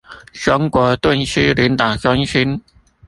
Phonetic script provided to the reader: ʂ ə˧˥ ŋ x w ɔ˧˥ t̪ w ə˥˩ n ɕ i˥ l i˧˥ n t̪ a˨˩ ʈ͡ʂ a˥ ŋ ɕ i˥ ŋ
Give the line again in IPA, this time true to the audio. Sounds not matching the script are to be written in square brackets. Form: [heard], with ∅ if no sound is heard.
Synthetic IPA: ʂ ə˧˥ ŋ [k] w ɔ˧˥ t̪ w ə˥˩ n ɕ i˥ l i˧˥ n t̪ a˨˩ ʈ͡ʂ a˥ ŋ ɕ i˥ [n]